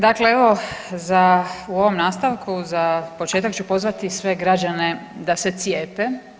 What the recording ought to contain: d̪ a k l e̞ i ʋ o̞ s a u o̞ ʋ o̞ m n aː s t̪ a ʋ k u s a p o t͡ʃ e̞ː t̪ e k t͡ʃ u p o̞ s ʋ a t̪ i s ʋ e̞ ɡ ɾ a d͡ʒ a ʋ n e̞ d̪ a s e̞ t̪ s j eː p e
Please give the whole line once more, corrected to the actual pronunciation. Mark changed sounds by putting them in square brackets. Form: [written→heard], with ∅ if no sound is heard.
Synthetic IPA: d̪ a k l e̞ [i→e] ʋ o̞ [s→z] a u o̞ ʋ o̞ m n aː s t̪ a ʋ k u [s→z] a p o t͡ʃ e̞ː t̪ [e→a] k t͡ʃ u p o̞ [s→z] ʋ a t̪ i s ʋ e̞ ɡ ɾ a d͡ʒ a [ʋ→∅] n e̞ d̪ a s e̞ t̪ s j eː p e